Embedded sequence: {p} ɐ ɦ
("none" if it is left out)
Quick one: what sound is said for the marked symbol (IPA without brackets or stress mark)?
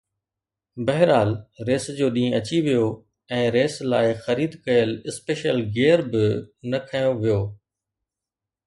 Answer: b